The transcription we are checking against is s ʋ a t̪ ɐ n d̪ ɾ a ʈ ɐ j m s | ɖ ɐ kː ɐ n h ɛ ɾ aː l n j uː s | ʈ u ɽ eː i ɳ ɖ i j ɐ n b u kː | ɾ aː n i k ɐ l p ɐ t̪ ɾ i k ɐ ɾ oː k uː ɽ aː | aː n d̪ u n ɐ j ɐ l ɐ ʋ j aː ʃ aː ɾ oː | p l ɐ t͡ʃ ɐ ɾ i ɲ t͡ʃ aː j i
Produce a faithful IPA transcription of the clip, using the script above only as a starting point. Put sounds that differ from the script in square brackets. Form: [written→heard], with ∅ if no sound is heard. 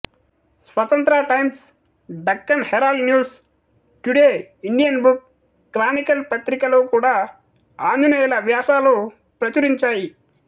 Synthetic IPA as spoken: s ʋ [a→ɐ] t̪ ɐ n [d̪→t̪] ɾ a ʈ ɐ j m s | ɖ ɐ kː ɐ n h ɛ ɾ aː l n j uː s | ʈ u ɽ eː i ɳ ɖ i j ɐ n b u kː | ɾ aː n i k ɐ l p ɐ t̪ ɾ i k ɐ [ɾ→l] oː k uː ɽ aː | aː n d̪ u n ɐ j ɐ l ɐ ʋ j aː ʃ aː [ɾ→l] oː | p [l→ɾ] ɐ t͡ʃ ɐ ɾ i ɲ t͡ʃ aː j i

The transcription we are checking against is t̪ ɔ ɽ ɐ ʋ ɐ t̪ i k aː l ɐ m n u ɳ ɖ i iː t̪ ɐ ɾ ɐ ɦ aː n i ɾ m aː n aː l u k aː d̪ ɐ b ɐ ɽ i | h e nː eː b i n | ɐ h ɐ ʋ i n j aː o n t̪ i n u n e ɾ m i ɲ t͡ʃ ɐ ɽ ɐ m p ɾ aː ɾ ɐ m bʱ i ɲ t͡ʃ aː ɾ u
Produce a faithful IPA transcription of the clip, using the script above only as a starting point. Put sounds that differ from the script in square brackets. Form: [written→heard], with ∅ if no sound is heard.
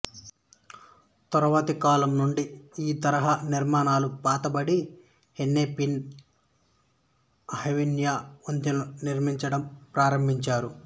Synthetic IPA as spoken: t̪ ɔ [ɽ→ɾ] ɐ ʋ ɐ t̪ i k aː l ɐ m n u ɳ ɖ i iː t̪ ɐ ɾ ɐ ɦ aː n i ɾ m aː n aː l u [k→p] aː [d̪→t̪] ɐ b ɐ ɽ i | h e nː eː [b→p] i n | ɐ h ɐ ʋ i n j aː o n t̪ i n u n [e→i] ɾ m i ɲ t͡ʃ ɐ ɽ ɐ m p ɾ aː ɾ ɐ m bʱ i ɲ t͡ʃ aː ɾ u

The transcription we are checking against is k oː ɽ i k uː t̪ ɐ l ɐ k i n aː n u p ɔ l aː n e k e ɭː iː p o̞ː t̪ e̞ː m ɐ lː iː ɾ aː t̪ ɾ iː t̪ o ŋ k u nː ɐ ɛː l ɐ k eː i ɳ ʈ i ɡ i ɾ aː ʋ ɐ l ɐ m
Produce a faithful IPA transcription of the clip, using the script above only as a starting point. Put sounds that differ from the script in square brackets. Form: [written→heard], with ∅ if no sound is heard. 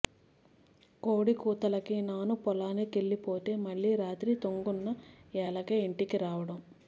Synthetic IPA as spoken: k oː ɽ i k uː t̪ ɐ l ɐ k i n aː n u p ɔ l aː n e k e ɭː [iː→i] p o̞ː t̪ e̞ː m ɐ [lː→ɭː] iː ɾ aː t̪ ɾ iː t̪ o ŋ [k→ɡ] u nː ɐ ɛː l ɐ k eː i ɳ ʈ i [ɡ→k] i ɾ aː ʋ ɐ [l→ɽ] ɐ m

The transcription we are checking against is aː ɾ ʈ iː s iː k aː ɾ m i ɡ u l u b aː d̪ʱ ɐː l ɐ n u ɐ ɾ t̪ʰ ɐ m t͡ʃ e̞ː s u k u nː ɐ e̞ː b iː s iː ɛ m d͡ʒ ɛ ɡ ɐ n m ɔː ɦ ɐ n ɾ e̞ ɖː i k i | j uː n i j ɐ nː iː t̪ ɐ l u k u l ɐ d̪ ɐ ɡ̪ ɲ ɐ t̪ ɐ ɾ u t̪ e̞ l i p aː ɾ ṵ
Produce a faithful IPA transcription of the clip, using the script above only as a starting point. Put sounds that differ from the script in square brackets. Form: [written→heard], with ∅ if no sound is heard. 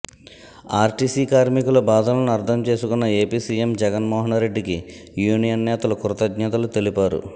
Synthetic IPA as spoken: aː ɾ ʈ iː s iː k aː ɾ m i [ɡ→k] u l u b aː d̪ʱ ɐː l ɐ n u ɐ ɾ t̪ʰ ɐ m t͡ʃ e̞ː s u k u nː ɐ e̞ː [b→p] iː s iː [ɛ→e] m d͡ʒ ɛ ɡ ɐ n m ɔː ɦ ɐ n ɾ e̞ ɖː i k i | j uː n i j ɐ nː [iː→ɛː] t̪ ɐ l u k u [l→ɾ] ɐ [d̪→t̪] ɐ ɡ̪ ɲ ɐ t̪ ɐ [ɾ→l] u t̪ e̞ l i p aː ɾ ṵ

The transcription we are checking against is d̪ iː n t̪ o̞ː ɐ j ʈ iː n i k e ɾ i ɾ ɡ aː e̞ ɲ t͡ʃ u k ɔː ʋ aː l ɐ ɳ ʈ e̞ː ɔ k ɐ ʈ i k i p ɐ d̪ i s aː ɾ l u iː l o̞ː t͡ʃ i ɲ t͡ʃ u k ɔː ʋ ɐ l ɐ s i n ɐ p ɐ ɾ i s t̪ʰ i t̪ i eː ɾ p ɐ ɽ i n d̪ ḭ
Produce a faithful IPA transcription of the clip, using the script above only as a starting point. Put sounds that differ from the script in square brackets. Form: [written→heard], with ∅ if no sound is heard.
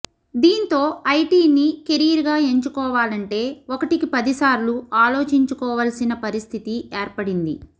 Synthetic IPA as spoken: d̪ iː n t̪ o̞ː ɐ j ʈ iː n i k e ɾ i ɾ ɡ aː e̞ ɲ t͡ʃ u k ɔː ʋ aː l ɐ ɳ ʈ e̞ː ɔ k ɐ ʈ i k i p ɐ d̪ i s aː ɾ l u [iː→aː] l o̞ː t͡ʃ i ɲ t͡ʃ u k ɔː ʋ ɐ l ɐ s i n ɐ p ɐ ɾ i s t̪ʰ i t̪ i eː ɾ p ɐ ɽ i n d̪ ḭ

